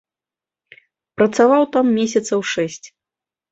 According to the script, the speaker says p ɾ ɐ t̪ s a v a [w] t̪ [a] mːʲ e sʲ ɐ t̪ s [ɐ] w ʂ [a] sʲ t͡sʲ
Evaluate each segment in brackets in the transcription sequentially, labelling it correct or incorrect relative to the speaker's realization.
correct, correct, correct, incorrect: ɛ

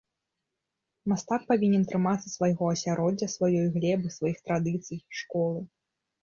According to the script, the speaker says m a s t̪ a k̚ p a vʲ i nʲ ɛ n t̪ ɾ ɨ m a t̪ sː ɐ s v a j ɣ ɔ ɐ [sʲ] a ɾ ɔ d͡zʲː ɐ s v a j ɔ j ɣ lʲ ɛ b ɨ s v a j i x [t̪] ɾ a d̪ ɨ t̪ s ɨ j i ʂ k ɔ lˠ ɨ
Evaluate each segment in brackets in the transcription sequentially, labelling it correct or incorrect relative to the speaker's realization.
correct, correct

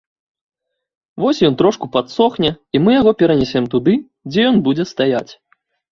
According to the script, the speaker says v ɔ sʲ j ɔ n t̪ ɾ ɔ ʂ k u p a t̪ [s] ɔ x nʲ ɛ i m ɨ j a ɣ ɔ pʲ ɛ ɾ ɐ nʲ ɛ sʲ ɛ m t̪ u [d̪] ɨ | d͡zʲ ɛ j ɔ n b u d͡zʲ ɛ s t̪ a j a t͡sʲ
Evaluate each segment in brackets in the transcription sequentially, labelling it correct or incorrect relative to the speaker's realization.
correct, correct

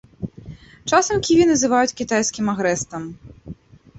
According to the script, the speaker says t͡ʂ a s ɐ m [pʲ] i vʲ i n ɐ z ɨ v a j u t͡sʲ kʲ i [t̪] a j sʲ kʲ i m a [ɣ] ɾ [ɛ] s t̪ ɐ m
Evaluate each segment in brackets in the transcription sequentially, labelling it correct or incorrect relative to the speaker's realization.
incorrect: kʲ, correct, correct, correct

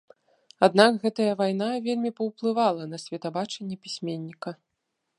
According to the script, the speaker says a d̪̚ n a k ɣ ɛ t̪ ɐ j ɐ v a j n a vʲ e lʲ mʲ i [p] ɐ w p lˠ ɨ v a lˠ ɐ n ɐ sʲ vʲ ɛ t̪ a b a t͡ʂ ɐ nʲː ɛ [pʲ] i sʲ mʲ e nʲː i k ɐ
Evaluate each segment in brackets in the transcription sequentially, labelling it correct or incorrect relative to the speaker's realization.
correct, correct

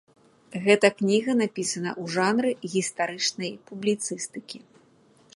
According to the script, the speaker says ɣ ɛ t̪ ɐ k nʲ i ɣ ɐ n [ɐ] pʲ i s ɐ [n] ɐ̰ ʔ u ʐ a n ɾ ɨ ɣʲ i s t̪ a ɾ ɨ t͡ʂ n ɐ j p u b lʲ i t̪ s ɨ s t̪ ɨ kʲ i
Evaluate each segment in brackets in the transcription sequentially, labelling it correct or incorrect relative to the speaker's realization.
incorrect: a, correct

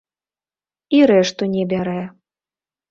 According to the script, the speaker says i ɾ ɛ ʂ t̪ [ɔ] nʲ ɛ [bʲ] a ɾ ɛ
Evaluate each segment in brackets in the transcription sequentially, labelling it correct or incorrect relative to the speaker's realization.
incorrect: u, correct

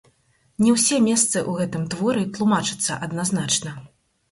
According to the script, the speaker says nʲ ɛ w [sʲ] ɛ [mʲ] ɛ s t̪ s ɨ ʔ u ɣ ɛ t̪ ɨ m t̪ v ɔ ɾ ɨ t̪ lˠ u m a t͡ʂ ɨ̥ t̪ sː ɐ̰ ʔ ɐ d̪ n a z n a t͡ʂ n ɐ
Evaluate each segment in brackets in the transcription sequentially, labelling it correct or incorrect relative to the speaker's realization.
correct, correct

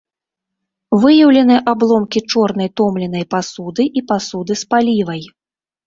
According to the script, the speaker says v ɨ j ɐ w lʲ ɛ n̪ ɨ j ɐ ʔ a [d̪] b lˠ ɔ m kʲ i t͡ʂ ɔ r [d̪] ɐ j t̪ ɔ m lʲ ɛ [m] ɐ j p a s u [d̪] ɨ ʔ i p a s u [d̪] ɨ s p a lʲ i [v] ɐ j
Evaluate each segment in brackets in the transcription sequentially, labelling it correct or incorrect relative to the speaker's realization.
incorrect: none, incorrect: n̪, incorrect: n, correct, correct, correct

